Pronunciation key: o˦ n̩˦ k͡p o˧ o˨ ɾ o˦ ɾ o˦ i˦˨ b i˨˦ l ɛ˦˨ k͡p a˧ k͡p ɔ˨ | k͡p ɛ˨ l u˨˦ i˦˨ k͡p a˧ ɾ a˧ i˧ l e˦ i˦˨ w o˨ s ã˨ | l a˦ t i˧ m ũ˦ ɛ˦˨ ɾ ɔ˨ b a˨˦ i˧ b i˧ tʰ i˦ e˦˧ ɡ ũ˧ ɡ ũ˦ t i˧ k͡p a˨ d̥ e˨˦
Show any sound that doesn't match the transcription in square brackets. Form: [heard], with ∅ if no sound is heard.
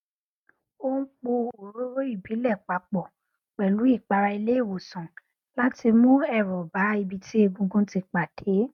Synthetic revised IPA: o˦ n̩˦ k͡p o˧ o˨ ɾ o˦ ɾ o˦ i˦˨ b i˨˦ l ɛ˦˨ k͡p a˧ k͡p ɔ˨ | k͡p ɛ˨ l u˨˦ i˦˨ k͡p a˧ ɾ a˧ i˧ l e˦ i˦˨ w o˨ s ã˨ | l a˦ t i˧ m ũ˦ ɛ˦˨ ɾ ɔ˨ b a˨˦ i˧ b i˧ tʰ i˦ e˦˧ ɡ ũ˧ ɡ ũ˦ t i˧ k͡p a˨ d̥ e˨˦